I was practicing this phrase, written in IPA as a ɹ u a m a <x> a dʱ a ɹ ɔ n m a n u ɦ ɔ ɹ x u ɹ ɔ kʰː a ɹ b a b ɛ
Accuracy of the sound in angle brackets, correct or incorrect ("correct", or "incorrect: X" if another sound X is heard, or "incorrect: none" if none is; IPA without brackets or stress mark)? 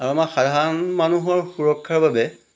correct